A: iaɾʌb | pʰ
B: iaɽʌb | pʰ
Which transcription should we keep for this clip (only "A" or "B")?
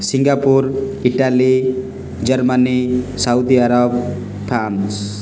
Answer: A